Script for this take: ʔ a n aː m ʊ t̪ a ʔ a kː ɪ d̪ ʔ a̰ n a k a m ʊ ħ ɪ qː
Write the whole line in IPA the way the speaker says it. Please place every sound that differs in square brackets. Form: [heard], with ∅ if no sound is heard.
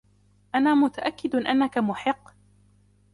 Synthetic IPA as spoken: ʔ a n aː m ʊ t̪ a ʔ a kː ɪ d̪ ʔ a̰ [nː] a k a m ʊ ħ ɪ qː